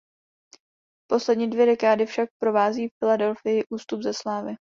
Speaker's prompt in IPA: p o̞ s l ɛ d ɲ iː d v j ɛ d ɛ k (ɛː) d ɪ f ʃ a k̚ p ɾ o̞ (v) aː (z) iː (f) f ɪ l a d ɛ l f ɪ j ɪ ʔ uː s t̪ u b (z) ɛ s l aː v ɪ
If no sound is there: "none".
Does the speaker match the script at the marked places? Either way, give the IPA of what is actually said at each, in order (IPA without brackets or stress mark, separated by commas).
aː, v, z, f, z